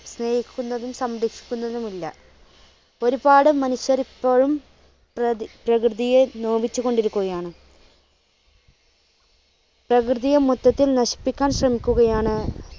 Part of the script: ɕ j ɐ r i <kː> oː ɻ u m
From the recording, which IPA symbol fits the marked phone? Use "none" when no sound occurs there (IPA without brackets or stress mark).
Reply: pː